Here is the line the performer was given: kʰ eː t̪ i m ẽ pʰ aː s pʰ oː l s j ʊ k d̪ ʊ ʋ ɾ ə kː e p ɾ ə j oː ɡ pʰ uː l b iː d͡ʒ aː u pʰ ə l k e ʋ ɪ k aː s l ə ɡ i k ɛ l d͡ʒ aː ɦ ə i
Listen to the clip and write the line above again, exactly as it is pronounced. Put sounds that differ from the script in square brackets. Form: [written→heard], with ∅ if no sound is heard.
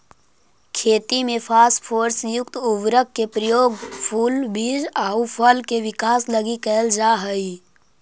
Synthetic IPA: kʰ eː t̪ i m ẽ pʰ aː s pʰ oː [l→ɾ] s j ʊ k [d̪→t̪] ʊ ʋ ɾ ə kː e p ɾ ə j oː ɡ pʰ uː l b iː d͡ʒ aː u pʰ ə l k e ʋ ɪ k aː s l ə ɡ i k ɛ l d͡ʒ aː ɦ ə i